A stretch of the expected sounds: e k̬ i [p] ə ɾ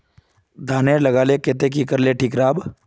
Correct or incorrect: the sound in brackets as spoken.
incorrect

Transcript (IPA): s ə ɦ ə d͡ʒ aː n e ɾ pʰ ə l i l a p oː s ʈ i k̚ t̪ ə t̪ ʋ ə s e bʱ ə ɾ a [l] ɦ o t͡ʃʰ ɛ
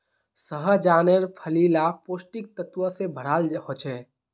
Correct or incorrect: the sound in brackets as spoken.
correct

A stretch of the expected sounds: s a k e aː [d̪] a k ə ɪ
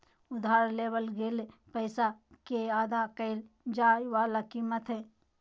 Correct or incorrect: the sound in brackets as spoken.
correct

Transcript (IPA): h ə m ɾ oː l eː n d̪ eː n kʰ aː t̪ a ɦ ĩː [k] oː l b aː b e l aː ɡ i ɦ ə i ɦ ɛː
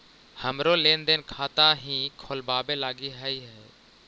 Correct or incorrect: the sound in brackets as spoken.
incorrect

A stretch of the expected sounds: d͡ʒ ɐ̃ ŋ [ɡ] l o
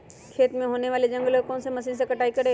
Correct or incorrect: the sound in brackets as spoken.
correct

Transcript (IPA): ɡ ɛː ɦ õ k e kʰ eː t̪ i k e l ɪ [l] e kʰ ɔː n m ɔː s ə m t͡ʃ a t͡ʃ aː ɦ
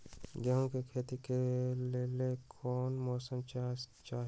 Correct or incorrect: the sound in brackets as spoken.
correct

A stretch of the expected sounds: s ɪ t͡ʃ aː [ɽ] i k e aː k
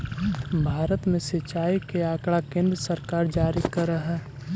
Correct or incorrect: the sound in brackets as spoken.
incorrect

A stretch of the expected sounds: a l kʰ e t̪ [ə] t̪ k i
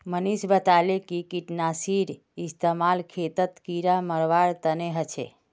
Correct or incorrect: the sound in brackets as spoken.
correct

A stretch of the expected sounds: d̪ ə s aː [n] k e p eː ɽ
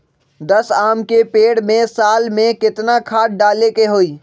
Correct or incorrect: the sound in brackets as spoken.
incorrect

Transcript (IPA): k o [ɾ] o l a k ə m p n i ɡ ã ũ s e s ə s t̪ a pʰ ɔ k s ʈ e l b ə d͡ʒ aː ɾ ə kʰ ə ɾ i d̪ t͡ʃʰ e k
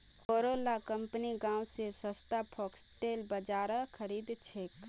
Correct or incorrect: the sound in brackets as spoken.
correct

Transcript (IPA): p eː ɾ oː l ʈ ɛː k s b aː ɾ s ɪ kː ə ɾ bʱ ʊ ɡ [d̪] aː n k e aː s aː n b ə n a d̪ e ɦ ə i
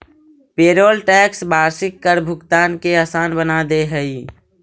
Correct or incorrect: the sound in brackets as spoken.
incorrect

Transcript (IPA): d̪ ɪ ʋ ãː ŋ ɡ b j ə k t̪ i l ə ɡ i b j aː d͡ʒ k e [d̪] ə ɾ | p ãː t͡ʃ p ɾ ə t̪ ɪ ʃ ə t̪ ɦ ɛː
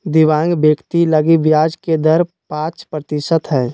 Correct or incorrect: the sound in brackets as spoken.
correct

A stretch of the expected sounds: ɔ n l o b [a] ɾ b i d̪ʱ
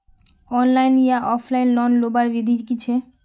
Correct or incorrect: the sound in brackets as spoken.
correct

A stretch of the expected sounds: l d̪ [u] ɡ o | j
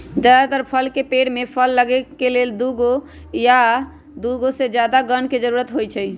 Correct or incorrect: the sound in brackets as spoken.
correct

